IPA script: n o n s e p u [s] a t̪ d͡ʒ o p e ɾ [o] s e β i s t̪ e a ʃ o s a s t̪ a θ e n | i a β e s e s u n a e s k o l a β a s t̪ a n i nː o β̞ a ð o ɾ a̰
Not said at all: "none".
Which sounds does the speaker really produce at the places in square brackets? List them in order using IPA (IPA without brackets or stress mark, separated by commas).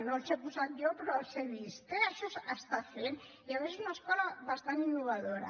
s, o